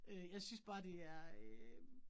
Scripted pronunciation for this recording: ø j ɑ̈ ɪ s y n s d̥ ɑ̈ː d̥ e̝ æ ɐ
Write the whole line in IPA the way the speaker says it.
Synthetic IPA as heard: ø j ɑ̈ ɪ s y n s b̥ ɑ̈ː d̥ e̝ æ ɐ